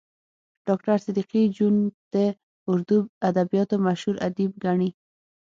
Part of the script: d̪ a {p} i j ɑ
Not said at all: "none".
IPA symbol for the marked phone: b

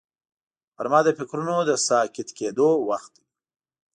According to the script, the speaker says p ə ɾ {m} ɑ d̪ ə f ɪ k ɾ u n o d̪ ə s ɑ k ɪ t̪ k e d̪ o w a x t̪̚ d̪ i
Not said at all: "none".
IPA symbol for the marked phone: m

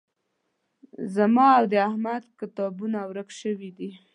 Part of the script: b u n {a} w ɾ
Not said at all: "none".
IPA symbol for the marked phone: a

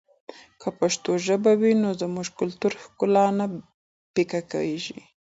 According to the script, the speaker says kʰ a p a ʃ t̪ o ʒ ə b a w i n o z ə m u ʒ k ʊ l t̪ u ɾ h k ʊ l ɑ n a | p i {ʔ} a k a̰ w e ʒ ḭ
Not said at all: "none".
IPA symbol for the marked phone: k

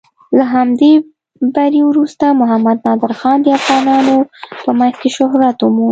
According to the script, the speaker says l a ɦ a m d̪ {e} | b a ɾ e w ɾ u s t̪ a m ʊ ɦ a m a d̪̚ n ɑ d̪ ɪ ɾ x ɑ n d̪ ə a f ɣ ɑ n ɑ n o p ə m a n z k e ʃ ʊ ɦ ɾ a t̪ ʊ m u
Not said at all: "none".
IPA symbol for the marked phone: e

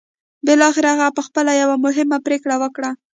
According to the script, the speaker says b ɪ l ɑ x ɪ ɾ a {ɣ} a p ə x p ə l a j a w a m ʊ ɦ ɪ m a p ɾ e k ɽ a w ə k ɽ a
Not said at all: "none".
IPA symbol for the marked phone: ɣ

